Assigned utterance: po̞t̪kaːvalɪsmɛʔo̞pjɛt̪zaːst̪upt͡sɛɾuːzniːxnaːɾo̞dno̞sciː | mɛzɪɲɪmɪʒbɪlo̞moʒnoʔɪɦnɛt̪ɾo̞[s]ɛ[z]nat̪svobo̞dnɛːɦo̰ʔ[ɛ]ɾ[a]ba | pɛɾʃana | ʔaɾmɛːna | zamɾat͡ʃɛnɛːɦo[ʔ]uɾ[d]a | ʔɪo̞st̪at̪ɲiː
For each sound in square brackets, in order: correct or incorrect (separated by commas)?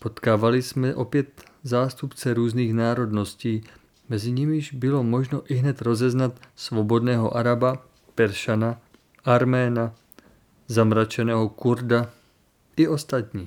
incorrect, correct, incorrect, correct, incorrect, correct